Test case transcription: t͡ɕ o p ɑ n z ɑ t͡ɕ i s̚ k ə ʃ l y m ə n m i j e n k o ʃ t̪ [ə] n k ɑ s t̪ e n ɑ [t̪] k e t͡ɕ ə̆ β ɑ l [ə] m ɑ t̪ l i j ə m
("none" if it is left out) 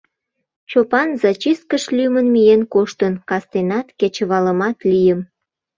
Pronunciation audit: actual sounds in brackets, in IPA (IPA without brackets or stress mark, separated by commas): ə, t̪, ə